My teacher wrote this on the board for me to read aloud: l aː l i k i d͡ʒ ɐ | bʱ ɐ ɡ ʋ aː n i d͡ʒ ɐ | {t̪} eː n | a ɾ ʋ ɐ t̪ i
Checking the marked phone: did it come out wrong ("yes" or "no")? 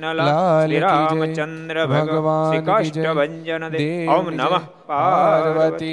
yes